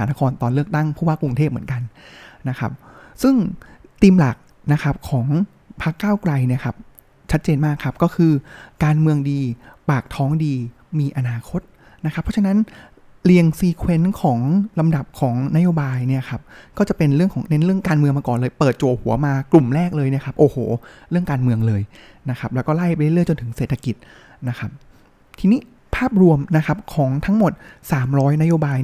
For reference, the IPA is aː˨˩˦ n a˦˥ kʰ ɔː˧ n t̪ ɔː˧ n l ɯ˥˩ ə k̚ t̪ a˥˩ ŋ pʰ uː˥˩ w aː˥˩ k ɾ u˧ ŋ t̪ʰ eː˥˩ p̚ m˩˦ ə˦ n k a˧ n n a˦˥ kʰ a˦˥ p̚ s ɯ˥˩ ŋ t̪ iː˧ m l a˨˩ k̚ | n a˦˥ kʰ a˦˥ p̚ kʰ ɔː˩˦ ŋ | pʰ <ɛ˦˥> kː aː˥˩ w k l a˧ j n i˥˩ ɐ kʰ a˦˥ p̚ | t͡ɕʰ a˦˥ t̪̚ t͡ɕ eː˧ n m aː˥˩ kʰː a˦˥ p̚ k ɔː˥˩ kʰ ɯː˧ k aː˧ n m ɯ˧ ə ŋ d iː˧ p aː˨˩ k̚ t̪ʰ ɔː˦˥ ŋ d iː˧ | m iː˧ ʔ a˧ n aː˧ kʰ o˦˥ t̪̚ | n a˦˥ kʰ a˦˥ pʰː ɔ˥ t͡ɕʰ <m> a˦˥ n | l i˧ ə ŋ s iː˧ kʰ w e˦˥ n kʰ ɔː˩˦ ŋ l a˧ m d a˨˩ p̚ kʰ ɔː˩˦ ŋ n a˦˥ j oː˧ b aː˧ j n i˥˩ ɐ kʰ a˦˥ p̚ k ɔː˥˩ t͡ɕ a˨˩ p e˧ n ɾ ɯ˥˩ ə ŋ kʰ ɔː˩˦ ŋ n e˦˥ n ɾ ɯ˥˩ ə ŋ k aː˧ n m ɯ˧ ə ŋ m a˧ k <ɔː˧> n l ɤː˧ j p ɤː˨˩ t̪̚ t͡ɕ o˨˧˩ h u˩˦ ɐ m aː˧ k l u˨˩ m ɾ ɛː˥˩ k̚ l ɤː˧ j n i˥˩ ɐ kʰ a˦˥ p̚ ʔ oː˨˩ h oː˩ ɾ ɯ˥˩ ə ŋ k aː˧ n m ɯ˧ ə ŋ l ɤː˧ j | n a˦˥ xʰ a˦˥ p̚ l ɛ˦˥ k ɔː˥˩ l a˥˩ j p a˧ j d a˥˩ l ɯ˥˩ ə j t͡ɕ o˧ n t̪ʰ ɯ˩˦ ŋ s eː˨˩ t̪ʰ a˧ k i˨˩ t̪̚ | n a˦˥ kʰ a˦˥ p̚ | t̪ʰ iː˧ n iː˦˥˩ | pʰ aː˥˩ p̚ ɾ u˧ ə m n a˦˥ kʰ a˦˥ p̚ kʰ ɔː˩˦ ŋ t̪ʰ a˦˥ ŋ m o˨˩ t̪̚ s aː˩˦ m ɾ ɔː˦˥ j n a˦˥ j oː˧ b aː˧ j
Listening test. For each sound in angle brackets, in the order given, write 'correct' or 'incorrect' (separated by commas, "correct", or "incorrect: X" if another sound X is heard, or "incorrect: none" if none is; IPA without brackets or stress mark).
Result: incorrect: a˦˥, incorrect: n, incorrect: ɔː˨˩